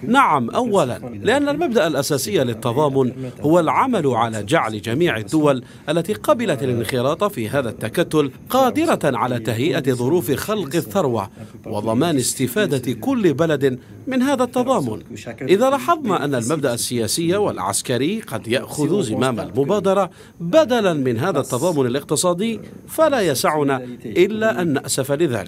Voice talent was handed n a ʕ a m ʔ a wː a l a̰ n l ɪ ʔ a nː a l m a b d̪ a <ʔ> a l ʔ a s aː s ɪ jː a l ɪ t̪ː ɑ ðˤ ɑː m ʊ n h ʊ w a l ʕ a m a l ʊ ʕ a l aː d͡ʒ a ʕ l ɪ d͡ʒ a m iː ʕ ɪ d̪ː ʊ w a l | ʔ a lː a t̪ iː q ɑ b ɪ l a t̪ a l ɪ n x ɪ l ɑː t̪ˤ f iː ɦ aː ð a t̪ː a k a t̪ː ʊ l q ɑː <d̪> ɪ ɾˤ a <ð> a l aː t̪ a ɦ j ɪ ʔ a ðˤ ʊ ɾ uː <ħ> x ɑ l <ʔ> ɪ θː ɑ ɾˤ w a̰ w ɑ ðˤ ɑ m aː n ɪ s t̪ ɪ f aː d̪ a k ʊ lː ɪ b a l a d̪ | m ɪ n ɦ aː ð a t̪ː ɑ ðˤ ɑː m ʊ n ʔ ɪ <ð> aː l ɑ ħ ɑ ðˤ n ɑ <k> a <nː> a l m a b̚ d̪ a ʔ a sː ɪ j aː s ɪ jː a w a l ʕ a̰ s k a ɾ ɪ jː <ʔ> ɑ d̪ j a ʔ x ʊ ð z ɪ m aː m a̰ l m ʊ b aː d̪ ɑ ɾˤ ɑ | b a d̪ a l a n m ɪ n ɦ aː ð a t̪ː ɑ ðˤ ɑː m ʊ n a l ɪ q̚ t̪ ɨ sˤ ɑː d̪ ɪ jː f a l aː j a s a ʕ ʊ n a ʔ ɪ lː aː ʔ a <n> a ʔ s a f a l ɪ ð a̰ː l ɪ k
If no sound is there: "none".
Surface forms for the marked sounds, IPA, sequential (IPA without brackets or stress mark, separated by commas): ʔ, d̪, ʕ, f, q, ð, ʔ, nː, q, nː